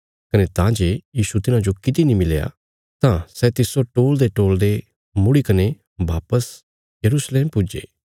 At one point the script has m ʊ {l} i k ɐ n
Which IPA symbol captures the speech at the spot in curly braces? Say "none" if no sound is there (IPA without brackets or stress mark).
ɽ